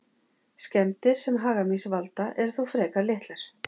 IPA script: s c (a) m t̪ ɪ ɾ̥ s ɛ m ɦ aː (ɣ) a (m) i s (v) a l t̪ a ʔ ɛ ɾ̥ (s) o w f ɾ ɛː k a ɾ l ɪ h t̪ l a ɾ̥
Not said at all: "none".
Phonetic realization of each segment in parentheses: ɛ, ɣ, m, v, θ

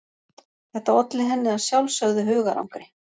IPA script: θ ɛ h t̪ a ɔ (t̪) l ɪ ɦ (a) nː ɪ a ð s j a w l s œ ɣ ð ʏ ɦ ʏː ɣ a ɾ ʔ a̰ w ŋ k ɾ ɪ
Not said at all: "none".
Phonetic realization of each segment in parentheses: t̪, ɛ

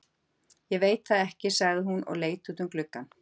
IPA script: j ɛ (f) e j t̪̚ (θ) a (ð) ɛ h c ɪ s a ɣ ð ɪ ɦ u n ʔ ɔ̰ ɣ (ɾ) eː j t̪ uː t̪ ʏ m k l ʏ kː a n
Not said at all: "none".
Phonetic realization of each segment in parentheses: v, θ, ð, l

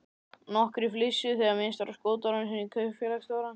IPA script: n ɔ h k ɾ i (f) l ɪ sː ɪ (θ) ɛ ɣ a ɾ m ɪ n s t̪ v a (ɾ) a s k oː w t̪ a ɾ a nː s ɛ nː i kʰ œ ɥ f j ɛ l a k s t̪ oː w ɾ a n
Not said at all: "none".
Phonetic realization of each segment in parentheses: f, θ, ɾ

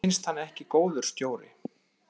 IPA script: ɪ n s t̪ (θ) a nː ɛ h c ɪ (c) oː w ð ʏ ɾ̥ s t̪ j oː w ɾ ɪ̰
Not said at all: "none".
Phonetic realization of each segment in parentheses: h, k

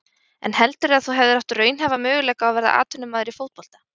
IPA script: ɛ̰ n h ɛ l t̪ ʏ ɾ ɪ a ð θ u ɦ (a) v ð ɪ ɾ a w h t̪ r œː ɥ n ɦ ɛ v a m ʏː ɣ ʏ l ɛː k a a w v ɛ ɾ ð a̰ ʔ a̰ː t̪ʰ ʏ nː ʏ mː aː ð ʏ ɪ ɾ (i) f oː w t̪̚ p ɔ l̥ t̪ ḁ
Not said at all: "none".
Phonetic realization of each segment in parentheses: ɛ, i

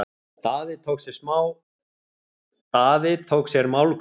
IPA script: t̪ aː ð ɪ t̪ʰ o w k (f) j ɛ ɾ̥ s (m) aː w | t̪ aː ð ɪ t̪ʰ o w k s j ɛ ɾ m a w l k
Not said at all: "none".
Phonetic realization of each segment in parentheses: s, m

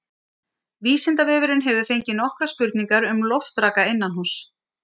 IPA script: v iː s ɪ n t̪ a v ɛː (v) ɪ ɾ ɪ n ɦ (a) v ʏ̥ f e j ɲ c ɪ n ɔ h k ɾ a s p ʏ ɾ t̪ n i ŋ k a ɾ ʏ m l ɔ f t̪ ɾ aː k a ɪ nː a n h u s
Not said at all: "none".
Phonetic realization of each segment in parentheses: v, ɛ

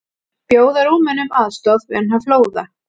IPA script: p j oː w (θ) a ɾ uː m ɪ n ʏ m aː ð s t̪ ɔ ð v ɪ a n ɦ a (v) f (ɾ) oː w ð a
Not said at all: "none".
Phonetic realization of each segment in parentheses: ð, v, l

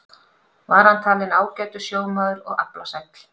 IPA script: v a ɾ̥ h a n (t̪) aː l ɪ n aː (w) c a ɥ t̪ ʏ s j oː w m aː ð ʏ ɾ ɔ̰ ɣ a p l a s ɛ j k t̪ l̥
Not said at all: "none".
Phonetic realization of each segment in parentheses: t̪ʰ, w

